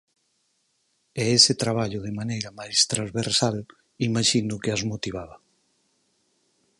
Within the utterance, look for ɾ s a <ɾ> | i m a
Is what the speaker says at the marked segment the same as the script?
no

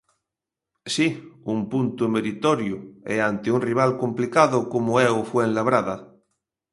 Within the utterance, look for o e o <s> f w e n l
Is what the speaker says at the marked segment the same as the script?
no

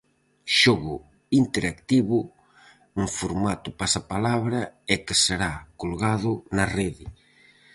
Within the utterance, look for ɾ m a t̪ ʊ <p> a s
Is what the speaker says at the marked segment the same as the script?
yes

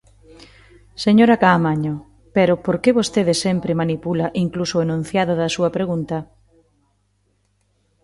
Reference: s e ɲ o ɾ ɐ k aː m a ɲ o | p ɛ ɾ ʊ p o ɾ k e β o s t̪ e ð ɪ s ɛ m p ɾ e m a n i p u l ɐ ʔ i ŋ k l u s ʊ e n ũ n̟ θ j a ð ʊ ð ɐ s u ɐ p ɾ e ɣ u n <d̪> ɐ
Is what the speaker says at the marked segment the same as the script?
no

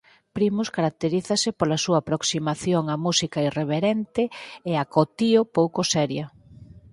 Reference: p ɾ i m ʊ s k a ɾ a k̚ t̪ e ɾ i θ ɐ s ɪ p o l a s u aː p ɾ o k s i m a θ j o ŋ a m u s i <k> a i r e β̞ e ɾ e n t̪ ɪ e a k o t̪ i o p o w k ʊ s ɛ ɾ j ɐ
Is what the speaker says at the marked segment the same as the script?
yes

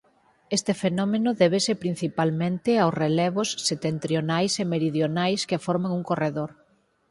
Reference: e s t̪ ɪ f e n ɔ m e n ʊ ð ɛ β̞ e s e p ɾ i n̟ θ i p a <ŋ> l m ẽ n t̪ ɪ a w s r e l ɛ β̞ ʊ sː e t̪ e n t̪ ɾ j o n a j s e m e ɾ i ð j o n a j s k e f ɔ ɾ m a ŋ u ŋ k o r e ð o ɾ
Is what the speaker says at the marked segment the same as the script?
no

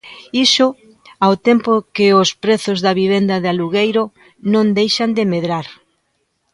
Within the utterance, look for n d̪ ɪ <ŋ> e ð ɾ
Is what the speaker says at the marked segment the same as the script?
no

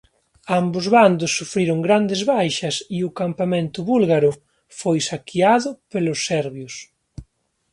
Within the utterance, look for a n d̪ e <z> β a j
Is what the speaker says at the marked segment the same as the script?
yes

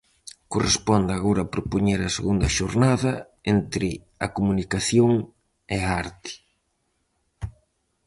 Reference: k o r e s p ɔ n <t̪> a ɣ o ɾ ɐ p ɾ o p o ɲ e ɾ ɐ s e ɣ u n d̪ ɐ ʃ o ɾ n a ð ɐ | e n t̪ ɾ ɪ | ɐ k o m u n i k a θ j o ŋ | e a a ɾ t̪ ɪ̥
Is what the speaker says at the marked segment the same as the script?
no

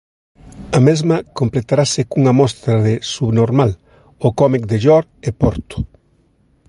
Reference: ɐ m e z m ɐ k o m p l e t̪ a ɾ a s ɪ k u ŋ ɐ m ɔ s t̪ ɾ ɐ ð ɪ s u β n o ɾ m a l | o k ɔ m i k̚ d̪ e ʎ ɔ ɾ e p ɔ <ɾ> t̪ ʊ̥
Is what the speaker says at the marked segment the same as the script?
yes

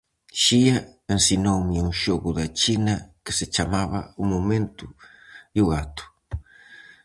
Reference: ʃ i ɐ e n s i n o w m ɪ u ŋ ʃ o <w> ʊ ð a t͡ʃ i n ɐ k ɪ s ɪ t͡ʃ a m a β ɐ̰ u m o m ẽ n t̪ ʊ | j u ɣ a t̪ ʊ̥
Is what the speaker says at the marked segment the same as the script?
no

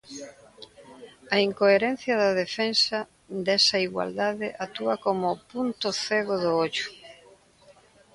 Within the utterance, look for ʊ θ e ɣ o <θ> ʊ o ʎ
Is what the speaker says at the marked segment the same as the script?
no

